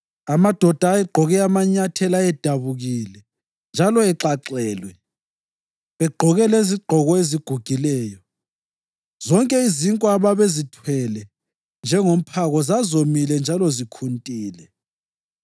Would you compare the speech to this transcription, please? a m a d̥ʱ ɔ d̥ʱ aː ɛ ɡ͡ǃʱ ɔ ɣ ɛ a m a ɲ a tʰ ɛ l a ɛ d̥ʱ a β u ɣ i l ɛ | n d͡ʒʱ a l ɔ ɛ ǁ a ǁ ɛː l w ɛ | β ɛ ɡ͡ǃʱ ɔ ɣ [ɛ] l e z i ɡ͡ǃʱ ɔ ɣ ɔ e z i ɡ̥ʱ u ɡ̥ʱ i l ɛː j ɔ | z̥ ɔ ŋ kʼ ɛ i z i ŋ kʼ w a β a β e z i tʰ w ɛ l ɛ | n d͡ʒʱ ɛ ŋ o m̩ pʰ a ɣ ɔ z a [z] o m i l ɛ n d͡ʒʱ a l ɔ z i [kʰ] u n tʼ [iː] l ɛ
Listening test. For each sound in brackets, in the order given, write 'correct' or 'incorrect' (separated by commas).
correct, correct, correct, correct